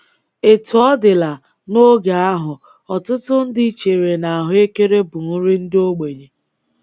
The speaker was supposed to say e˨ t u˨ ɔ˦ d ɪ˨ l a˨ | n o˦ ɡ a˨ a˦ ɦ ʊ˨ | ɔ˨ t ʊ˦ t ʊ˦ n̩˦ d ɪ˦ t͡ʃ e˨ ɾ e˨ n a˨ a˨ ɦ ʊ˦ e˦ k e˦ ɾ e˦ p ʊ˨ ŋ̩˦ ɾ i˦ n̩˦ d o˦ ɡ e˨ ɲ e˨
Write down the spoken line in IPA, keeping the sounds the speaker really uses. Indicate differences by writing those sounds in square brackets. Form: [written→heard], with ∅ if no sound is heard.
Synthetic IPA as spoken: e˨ t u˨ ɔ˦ d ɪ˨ l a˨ | n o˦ ɡ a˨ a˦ ɦ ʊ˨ | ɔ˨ t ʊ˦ t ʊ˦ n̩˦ d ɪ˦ t͡ʃ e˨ ɾ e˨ n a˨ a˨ ɦ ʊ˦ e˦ k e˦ ɾ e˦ [p→b] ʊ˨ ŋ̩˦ ɾ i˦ n̩˦ d o˦ [ɡ→ɡ͡b] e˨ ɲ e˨